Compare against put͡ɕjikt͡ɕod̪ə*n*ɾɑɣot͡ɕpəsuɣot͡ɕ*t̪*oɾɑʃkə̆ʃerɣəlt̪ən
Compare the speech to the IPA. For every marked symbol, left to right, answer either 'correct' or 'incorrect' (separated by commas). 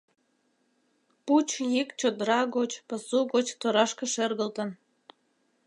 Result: incorrect, correct